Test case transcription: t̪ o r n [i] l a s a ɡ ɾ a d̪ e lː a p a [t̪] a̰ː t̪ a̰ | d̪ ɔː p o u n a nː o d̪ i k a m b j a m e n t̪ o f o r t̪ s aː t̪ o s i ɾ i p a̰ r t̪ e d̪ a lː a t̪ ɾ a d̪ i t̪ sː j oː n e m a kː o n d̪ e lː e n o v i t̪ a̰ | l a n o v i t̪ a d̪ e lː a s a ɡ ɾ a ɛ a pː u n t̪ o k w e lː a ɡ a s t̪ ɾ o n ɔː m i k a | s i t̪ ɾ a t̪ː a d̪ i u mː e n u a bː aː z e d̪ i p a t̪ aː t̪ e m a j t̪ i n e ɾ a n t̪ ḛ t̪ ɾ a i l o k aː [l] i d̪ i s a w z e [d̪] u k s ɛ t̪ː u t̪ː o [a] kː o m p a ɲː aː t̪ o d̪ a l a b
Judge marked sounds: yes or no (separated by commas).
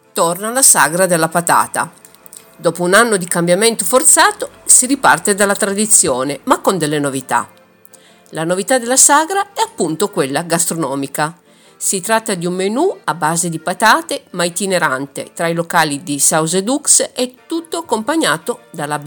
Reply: no, yes, yes, yes, yes